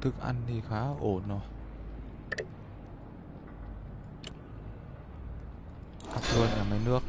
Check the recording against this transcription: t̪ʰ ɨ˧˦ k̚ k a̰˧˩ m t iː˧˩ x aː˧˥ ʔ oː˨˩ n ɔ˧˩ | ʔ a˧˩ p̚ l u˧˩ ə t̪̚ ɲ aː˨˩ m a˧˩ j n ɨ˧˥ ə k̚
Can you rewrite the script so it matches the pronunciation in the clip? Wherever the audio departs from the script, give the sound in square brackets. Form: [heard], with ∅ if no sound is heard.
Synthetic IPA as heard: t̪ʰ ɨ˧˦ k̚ [ʔ] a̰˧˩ [n] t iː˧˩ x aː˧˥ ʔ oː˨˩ n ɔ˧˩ | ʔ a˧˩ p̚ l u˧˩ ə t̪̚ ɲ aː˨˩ m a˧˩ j n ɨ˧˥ ə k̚